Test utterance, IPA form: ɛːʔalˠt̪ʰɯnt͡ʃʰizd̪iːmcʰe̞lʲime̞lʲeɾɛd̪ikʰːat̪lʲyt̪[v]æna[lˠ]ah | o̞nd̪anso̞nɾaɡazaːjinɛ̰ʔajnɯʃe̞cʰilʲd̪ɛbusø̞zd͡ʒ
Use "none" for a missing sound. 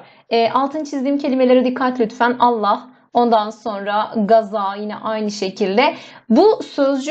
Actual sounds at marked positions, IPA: f, lˠː

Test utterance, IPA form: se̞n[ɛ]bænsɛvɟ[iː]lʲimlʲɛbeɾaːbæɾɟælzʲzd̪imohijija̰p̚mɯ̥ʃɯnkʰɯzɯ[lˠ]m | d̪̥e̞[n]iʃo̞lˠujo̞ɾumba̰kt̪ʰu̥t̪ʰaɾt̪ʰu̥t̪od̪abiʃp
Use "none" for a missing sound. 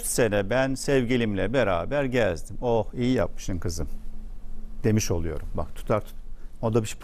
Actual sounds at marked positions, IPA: ɛ, i, none, m

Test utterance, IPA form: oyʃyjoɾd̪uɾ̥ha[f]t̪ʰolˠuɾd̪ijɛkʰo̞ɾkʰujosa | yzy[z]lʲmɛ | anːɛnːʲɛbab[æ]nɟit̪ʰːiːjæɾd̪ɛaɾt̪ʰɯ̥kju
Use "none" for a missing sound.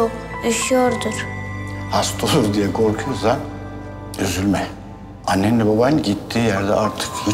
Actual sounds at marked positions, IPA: s, none, a

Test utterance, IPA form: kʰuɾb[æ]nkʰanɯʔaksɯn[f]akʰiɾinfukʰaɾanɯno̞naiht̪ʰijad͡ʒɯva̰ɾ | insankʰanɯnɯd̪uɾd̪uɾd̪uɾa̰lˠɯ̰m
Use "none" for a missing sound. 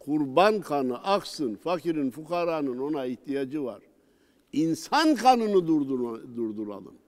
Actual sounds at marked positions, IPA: a, f

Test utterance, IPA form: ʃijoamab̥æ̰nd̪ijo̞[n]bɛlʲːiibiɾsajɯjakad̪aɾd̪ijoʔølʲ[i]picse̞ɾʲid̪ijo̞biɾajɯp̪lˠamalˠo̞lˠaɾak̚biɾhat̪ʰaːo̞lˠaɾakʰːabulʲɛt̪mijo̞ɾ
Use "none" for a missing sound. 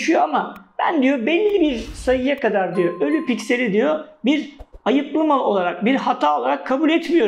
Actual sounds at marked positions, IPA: none, y

